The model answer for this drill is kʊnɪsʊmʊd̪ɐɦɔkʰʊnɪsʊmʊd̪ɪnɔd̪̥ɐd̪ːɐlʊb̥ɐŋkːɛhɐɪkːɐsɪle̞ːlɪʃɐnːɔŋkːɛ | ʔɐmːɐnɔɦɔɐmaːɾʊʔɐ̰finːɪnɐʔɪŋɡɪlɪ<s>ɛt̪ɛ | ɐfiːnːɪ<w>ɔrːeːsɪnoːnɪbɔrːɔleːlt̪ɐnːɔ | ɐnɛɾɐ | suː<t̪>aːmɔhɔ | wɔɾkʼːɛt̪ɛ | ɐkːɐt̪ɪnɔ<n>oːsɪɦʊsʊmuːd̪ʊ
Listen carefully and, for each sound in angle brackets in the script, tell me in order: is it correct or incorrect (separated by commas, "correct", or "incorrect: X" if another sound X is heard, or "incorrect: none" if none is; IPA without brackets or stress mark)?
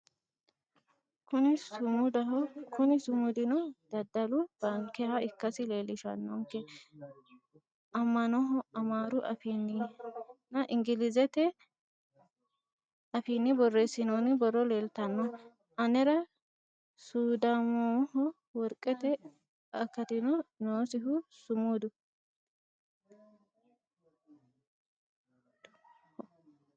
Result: incorrect: z, incorrect: b, incorrect: d̪, correct